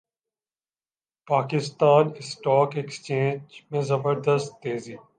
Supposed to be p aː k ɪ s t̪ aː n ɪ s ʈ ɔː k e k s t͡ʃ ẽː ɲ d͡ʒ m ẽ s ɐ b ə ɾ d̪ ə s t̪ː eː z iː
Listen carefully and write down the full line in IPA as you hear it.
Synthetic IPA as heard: p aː k ɪ s t̪ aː n ɪ s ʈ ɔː k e k s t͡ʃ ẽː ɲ d͡ʒ m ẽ z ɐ b ə ɾ d̪ ə s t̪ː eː z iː